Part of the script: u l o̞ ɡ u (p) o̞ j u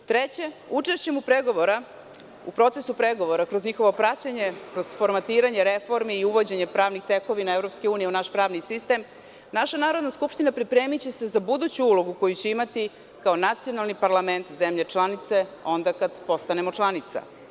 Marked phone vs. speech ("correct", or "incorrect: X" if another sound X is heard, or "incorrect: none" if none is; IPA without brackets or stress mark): incorrect: k